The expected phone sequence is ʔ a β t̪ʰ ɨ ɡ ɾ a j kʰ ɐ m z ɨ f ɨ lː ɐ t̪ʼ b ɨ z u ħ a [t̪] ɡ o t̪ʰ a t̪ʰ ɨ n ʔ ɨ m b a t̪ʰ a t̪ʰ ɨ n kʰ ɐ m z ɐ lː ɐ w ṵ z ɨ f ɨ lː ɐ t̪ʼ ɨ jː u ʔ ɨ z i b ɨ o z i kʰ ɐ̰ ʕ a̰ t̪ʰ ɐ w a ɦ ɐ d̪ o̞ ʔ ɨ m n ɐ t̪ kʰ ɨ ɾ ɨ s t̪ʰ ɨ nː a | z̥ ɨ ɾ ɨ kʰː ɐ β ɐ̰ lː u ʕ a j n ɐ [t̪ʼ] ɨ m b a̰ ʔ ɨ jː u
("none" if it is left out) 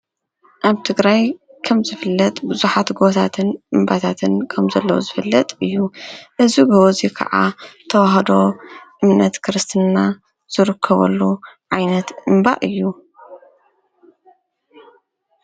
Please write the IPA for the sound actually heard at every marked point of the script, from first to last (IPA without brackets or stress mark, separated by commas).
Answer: t̪, t̪